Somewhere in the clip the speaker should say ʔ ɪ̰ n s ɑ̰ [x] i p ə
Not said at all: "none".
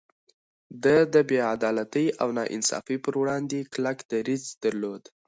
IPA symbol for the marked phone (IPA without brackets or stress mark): f